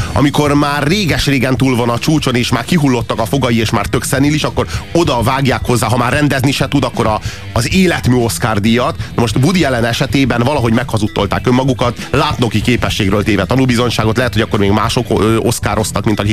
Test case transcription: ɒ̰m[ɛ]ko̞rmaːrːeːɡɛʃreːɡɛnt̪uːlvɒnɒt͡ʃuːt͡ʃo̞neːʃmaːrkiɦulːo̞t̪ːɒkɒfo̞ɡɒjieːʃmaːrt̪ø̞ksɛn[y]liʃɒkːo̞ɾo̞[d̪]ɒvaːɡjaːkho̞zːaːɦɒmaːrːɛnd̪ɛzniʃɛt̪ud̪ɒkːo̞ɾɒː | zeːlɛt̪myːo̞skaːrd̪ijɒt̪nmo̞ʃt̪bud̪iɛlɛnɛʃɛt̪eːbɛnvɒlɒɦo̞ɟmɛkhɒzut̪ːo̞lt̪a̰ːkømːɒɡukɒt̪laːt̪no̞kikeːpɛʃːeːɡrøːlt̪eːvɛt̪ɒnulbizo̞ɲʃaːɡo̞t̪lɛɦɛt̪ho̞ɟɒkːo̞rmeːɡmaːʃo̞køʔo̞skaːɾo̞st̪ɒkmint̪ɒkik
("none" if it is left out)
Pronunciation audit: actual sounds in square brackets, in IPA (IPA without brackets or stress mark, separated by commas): i, i, d̪